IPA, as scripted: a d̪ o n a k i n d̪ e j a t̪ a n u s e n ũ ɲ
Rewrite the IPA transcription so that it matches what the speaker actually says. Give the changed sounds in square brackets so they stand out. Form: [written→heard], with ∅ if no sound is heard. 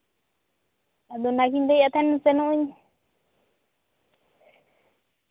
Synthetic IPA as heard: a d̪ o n a k i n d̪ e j a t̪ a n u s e n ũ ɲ

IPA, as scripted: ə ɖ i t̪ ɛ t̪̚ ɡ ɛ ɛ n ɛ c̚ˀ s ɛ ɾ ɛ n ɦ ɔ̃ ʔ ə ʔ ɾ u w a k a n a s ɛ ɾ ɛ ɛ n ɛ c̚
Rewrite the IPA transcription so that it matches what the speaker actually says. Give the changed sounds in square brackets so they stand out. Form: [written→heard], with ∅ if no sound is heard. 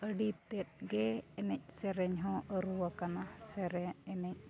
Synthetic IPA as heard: ə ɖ i t̪ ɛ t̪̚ ɡ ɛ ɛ n ɛ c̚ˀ s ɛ ɾ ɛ [n→ɲ] ɦ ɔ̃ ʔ ə [ʔ→∅] ɾ u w a k a n a s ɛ ɾ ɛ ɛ n ɛ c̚

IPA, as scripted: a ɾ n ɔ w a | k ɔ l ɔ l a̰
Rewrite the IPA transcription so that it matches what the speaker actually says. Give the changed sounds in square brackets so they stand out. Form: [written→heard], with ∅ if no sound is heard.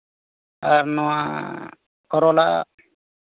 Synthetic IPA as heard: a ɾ n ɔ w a | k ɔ [l→ɾ] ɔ l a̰

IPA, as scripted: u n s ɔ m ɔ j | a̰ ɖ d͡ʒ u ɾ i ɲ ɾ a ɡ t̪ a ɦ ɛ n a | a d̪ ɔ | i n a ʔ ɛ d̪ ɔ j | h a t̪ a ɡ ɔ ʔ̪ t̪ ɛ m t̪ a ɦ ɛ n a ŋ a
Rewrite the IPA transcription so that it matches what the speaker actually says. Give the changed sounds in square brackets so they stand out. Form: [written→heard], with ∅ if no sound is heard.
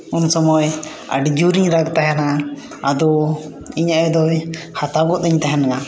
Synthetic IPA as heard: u n s ɔ m ɔ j | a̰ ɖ d͡ʒ u ɾ i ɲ ɾ a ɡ t̪ a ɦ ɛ n a | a d̪ ɔ | i [n→ɲ] a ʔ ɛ d̪ ɔ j | h a t̪ a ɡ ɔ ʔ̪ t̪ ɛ [m→ɲ] t̪ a ɦ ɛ n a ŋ a

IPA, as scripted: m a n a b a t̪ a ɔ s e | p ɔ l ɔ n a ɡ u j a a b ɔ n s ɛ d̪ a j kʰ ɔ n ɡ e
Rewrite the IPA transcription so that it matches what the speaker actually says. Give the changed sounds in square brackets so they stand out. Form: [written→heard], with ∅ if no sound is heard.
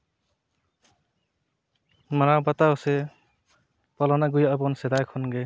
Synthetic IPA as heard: m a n a b a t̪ a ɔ s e | p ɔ l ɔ n a ɡ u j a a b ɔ n s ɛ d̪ a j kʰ ɔ n ɡ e

